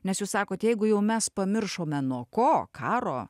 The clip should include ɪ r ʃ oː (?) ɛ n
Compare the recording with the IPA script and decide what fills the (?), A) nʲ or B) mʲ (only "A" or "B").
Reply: B